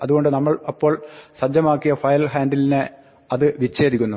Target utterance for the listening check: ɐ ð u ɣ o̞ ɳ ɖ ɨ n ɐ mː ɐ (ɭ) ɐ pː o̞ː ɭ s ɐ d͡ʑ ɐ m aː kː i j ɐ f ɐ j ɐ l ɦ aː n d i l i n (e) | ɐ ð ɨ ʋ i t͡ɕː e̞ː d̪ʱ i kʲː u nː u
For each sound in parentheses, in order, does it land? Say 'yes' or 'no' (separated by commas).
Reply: yes, yes